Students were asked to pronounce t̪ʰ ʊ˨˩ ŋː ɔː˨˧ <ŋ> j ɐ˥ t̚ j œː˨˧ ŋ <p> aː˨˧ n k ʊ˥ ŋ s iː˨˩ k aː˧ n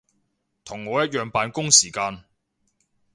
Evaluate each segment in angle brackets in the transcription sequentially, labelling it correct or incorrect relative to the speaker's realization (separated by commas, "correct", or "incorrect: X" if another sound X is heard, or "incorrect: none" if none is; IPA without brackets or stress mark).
incorrect: none, correct